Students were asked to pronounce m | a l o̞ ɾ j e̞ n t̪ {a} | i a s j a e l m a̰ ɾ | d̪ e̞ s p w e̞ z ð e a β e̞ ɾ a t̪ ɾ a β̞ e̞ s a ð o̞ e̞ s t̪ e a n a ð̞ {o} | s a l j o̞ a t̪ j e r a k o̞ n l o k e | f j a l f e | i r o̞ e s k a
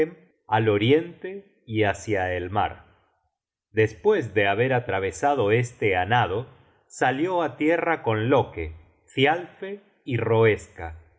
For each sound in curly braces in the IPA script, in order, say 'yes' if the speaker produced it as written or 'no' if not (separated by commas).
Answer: no, yes